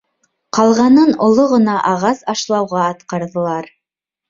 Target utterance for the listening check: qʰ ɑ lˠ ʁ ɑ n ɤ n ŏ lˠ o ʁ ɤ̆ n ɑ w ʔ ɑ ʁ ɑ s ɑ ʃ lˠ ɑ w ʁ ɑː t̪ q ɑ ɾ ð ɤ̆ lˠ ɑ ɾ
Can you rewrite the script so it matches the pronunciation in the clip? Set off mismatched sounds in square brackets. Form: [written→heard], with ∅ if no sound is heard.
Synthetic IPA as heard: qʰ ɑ lˠ ʁ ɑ n ɤ n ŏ lˠ o ʁ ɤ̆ n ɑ [w→∅] ʔ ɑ ʁ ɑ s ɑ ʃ lˠ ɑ w ʁ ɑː t̪ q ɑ ɾ ð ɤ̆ lˠ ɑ ɾ